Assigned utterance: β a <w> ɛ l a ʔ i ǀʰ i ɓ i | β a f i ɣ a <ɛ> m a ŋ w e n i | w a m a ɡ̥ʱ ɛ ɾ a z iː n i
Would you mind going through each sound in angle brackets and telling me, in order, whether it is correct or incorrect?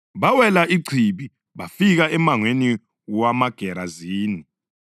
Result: correct, correct

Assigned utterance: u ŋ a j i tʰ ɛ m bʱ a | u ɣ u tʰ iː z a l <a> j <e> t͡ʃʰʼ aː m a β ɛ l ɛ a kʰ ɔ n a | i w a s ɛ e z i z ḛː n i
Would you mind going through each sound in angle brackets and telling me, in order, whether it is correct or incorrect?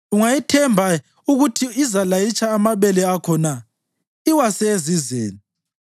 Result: correct, incorrect

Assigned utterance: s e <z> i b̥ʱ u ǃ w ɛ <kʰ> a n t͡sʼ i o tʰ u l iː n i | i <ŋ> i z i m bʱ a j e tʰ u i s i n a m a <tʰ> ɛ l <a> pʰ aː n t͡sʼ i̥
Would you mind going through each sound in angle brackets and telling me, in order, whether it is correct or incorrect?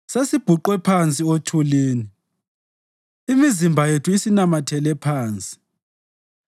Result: incorrect, incorrect, incorrect, correct, incorrect

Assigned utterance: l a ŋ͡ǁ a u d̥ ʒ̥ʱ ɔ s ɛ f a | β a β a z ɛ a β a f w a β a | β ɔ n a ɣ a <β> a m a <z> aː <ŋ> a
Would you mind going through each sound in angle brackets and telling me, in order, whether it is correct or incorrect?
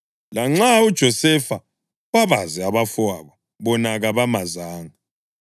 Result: correct, correct, correct

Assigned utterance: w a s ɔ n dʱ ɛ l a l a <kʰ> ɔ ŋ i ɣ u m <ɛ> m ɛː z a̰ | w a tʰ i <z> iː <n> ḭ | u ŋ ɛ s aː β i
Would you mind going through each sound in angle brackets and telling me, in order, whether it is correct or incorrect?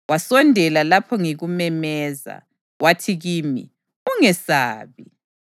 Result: incorrect, correct, incorrect, incorrect

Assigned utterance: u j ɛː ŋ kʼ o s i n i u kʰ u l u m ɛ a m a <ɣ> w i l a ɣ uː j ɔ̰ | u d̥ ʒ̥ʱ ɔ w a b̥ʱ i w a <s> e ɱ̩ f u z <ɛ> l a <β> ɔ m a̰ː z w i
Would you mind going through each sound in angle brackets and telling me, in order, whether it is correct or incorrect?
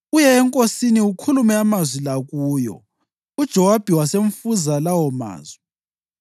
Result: incorrect, correct, incorrect, incorrect

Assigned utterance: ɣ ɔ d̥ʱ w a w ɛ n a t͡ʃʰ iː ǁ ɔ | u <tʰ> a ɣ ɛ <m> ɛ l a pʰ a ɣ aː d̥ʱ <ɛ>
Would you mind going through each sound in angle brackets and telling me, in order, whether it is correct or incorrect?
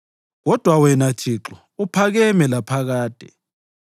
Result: incorrect, correct, correct

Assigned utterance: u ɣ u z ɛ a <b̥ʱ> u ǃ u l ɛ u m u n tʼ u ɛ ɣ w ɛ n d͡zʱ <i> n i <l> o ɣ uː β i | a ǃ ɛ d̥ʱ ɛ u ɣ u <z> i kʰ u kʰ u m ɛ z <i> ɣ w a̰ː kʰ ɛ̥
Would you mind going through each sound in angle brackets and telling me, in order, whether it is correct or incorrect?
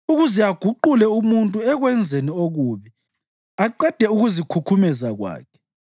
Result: incorrect, incorrect, incorrect, correct, incorrect

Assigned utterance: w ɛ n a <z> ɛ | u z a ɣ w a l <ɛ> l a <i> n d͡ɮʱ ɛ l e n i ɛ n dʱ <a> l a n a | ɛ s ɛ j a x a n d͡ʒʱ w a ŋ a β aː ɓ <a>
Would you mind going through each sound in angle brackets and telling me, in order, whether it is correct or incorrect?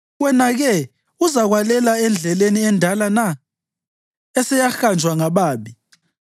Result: incorrect, correct, incorrect, correct, incorrect

